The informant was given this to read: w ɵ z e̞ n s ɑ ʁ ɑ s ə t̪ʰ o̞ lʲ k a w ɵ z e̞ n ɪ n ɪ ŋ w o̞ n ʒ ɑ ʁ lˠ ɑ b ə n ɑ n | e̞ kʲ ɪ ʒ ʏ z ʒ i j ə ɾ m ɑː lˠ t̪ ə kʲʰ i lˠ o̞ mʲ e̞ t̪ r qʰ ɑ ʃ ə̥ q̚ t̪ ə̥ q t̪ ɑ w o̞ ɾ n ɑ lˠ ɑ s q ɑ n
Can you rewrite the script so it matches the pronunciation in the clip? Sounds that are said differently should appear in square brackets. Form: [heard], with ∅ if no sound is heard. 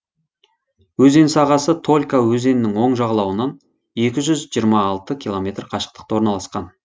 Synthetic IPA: w ɵ z e̞ n s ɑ ʁ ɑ s ə t̪ʰ o̞ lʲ k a w ɵ z e̞ n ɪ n ɪ ŋ w o̞ [ɴ] ʒ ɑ ʁ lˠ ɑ [w] ə n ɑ n | e̞ kʲ ɪ ʒ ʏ z ʒ i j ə ɾ m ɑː lˠ t̪ ə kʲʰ i lˠ o̞ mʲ e̞ t̪ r qʰ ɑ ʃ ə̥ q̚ t̪ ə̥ q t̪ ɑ w o̞ ɾ n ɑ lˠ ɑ s q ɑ n

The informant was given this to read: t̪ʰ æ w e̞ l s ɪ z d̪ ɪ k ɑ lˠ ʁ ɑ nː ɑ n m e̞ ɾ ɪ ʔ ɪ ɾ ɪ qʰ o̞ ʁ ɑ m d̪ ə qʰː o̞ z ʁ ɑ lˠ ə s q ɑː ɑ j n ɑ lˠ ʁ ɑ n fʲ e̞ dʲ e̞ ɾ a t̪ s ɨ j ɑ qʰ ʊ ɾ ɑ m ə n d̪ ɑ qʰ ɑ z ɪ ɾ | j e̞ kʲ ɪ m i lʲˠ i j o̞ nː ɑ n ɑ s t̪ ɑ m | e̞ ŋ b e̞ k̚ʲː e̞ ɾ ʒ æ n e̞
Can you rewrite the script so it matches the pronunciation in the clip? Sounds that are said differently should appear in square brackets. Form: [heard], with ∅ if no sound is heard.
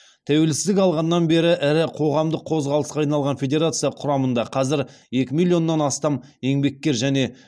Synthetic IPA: t̪ʰ æ w e̞ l s ɪ z d̪ ɪ k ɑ lˠ ʁ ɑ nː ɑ n [b] e̞ ɾ ɪ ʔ ɪ ɾ ɪ qʰ o̞ ʁ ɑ m d̪ ə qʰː o̞ z ʁ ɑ lˠ ə s q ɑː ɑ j n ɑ lˠ ʁ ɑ n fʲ e̞ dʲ e̞ ɾ a t̪ s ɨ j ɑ qʰ ʊ ɾ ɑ m ə n d̪ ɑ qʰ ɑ z ɪ ɾ | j e̞ kʲ ɪ m i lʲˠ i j o̞ nː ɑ n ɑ s t̪ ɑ m | e̞ ŋ b e̞ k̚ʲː e̞ ɾ ʒ æ n e̞

